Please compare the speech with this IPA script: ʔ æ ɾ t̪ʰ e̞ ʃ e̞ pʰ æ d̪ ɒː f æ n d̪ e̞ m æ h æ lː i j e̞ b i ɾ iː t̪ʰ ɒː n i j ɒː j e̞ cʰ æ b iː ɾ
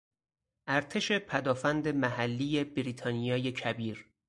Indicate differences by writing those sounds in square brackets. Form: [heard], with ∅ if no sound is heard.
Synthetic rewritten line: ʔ æ ɾ t̪ʰ e̞ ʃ e̞ pʰ æ d̪ ɒː f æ n d̪ e̞ m æ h æ lː i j e̞ b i ɾ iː t̪ʰ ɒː n i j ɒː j e̞ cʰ æ b iː ɾ